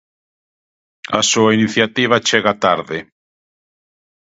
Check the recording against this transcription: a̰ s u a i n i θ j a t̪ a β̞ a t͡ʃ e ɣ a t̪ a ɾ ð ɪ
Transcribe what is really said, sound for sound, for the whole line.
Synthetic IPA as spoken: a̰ s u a i n i θ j a t̪ i β̞ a t͡ʃ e ɣ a t̪ a ɾ ð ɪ